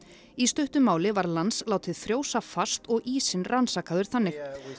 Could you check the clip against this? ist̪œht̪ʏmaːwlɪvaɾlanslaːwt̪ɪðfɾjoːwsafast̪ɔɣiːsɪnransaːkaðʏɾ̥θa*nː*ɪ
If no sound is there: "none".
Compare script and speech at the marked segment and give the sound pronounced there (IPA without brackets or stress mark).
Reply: nː